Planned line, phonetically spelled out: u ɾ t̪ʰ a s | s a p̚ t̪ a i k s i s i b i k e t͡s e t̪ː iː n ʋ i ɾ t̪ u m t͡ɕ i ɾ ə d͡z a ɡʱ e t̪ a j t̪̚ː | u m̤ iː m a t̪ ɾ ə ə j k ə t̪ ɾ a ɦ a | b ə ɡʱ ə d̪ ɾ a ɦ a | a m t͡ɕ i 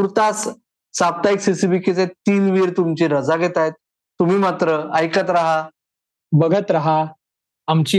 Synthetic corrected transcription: u ɾ t̪ a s | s a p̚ t̪ a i k s i s i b i k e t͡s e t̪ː iː n ʋ i ɾ t̪ u m t͡ɕ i ɾ ə d͡z a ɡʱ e t̪ a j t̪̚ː | u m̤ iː m a t̪ ɾ ə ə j k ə t̪ ɾ a ɦ a | b ə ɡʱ ə t̪ ɾ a ɦ a | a m t͡ɕ i